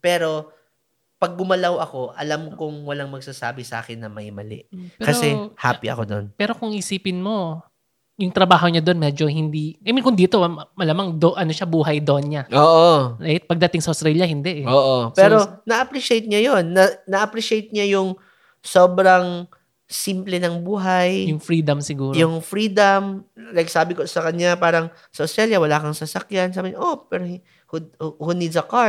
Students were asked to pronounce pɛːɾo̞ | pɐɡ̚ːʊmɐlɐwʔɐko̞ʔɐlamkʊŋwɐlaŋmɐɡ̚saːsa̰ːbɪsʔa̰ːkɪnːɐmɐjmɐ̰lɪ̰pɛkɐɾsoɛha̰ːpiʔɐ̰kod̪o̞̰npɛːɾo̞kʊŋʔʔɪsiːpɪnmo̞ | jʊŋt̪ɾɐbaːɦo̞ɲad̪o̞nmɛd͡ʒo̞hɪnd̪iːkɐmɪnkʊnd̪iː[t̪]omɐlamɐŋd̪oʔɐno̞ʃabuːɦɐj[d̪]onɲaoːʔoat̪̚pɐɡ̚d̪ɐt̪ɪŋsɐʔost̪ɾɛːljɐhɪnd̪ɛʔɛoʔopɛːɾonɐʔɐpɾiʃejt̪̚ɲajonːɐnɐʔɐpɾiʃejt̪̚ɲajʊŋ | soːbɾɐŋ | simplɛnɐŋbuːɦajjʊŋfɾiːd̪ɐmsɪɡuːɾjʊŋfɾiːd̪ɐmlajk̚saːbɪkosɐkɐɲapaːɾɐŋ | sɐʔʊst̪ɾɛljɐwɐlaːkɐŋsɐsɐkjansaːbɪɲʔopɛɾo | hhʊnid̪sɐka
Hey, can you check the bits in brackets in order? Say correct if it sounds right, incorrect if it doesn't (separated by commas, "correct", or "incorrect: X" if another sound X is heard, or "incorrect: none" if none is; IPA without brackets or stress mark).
correct, correct